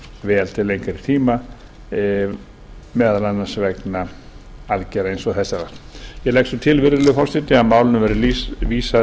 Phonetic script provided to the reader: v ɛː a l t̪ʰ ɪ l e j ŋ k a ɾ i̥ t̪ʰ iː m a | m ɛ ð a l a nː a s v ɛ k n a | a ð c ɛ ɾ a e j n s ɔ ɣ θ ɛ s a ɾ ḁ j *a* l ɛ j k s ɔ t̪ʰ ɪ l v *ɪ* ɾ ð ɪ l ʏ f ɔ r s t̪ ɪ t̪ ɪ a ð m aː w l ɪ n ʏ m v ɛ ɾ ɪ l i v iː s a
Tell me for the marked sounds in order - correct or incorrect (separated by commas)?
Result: incorrect, correct